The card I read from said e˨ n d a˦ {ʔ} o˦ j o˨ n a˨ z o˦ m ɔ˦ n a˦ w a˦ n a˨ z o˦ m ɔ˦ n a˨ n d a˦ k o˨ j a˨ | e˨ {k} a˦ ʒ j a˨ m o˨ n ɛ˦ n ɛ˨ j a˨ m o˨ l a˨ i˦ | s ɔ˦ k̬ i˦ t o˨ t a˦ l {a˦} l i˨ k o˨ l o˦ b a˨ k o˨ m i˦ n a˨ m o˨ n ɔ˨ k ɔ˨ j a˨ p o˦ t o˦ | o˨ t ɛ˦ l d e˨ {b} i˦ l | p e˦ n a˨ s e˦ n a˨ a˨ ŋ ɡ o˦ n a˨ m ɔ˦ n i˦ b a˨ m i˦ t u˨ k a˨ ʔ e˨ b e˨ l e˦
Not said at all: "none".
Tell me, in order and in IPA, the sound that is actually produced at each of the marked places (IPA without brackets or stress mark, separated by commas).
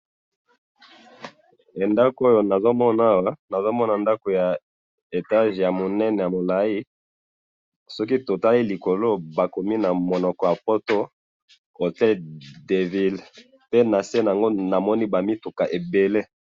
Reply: k, t, i˦, v